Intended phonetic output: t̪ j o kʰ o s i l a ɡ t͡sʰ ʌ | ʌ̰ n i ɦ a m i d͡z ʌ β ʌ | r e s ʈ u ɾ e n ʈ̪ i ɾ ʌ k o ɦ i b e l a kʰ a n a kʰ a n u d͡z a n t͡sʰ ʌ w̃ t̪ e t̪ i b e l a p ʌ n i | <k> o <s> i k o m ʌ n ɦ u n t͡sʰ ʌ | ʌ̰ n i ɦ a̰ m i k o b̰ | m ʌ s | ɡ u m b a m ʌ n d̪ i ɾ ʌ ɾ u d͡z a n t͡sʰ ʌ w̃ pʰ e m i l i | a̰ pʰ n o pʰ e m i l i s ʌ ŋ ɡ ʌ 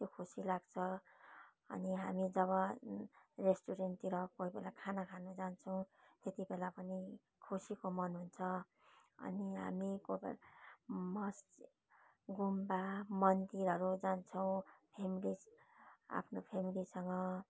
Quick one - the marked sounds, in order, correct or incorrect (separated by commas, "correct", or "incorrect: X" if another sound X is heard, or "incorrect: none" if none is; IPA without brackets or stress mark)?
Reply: incorrect: kʰ, correct